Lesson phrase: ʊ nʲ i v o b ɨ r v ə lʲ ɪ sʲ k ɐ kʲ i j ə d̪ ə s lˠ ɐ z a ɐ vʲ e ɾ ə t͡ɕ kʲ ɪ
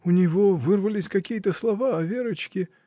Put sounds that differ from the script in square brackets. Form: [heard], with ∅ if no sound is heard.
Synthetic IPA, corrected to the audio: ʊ nʲ [ɪ] v o [v] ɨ r v ə lʲ ɪ sʲ k ɐ kʲ i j ə [t̪] ə s lˠ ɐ [v] a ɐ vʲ e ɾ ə t͡ɕ kʲ ɪ